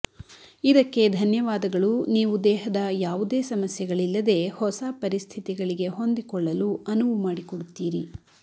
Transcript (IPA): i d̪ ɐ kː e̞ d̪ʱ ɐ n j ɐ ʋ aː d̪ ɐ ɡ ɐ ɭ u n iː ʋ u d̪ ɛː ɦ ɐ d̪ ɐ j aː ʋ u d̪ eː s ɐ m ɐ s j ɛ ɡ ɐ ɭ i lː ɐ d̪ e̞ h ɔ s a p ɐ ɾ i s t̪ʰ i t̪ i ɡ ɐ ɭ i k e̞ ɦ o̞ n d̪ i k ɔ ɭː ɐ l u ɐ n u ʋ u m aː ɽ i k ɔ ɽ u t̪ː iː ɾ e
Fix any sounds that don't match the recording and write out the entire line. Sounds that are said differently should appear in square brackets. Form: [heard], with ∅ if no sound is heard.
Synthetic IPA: i d̪ ɐ kː e̞ d̪ʱ ɐ n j ɐ ʋ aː d̪ ɐ ɡ ɐ ɭ u n iː ʋ u d̪ ɛː ɦ ɐ d̪ ɐ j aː ʋ u d̪ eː s ɐ m ɐ s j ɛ ɡ ɐ ɭ i lː ɐ d̪ e̞ h ɔ s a p ɐ ɾ i s t̪ʰ i t̪ i ɡ ɐ ɭ i [ɡ] e̞ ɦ o̞ n d̪ i k ɔ ɭː ɐ l u ɐ n u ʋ u m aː ɽ i k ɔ ɽ u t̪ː iː ɾ [i]